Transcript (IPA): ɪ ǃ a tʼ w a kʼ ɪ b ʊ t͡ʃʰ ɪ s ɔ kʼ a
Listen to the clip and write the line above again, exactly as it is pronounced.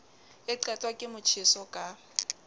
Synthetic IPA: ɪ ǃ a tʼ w a kʼ ɪ m ʊ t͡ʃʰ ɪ s ɔ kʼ a